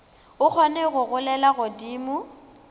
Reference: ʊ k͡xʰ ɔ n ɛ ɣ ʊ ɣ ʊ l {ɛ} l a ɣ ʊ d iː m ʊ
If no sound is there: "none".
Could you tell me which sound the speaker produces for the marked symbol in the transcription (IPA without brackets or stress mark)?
ɛ